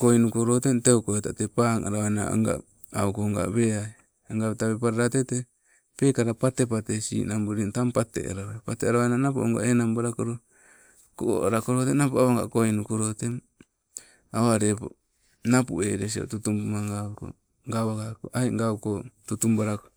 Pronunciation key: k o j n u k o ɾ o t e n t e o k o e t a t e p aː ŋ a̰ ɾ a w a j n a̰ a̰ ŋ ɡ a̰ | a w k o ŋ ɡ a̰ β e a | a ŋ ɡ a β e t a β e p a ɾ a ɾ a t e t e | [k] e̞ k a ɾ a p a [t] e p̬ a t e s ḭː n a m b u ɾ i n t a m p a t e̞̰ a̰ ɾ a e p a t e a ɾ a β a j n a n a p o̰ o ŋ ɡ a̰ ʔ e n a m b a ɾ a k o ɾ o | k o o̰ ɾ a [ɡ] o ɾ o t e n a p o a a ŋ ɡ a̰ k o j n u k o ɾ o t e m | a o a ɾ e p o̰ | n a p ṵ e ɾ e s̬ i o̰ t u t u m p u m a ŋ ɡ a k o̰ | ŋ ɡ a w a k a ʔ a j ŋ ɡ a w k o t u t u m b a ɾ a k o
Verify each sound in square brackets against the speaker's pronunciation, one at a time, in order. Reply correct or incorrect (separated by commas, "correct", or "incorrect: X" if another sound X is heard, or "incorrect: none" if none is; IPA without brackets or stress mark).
incorrect: p, correct, incorrect: k